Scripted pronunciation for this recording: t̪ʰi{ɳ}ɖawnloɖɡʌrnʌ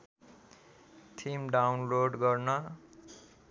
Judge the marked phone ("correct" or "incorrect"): incorrect